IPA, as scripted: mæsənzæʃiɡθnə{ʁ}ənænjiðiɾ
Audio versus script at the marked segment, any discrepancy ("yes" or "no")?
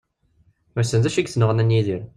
no